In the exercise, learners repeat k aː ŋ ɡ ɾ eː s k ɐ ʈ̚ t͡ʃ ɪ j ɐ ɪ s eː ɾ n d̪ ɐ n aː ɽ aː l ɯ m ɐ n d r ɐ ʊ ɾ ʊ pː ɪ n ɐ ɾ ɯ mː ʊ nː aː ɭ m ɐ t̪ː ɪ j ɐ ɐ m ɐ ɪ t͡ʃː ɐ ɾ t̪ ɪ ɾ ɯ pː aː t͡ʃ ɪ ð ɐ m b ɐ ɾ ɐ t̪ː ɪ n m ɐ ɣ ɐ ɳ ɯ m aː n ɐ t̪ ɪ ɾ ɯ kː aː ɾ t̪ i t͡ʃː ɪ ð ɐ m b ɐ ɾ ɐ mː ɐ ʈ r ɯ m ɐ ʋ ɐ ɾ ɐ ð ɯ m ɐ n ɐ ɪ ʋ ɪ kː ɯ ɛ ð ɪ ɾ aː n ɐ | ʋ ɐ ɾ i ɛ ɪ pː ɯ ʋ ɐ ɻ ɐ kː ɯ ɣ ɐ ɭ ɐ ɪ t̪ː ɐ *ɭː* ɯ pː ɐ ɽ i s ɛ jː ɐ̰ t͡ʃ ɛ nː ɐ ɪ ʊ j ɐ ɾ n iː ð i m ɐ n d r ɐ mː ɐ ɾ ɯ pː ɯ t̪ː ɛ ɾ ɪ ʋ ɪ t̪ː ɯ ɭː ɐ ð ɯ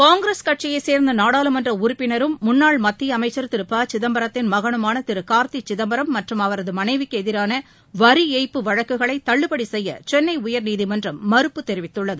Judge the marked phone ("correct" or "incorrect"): correct